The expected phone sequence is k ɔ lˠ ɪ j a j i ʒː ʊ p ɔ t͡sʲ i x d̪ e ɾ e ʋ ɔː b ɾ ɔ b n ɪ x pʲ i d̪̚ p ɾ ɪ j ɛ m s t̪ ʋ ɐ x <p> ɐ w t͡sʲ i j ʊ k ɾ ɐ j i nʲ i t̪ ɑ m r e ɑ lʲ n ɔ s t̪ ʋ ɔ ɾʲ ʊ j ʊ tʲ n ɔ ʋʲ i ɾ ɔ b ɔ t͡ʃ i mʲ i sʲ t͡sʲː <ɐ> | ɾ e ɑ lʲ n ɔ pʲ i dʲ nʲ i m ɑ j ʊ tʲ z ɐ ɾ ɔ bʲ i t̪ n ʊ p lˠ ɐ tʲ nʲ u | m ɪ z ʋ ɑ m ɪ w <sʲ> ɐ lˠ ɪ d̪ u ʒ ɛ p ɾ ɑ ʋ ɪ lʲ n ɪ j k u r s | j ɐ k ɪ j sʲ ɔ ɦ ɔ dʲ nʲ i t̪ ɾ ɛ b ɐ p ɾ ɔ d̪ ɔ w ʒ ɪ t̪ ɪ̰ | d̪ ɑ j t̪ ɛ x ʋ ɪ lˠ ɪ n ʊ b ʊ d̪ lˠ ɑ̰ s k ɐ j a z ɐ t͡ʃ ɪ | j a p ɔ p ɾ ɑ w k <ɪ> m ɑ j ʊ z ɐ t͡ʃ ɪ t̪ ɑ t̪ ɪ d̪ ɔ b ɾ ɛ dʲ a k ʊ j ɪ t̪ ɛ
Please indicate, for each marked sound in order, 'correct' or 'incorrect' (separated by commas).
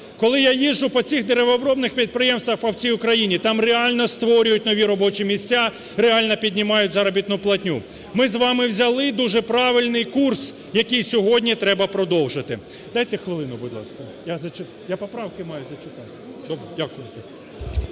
correct, incorrect, incorrect, correct